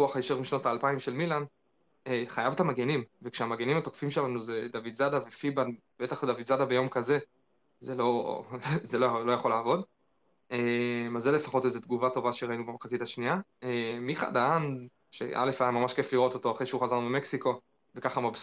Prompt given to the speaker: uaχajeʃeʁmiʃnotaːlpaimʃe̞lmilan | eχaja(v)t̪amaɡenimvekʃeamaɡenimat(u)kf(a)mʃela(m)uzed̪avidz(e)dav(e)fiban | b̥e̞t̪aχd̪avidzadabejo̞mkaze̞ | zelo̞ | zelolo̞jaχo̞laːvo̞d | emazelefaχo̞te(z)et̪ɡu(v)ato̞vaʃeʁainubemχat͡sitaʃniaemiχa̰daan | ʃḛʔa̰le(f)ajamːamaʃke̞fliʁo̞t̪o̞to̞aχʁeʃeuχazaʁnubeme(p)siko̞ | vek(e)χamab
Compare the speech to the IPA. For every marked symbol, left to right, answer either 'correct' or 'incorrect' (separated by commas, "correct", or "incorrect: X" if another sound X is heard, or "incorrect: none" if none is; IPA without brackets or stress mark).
correct, incorrect: o, incorrect: i, incorrect: n, incorrect: a, correct, correct, correct, correct, incorrect: k, incorrect: a